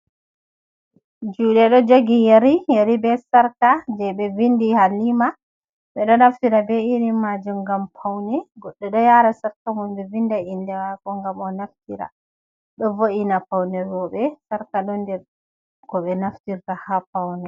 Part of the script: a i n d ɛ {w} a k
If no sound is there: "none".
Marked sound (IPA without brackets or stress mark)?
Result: w